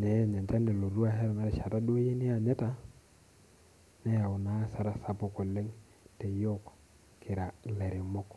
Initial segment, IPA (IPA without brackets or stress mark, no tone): n